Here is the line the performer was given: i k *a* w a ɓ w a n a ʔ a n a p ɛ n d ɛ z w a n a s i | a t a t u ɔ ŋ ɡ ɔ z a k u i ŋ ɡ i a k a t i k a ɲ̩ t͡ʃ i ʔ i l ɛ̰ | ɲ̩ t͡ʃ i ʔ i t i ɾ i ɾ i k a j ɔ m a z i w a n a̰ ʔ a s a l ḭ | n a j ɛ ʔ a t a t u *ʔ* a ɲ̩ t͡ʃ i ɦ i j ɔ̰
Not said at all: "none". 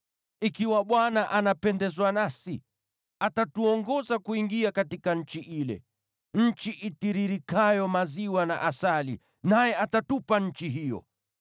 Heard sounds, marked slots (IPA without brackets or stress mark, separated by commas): i, p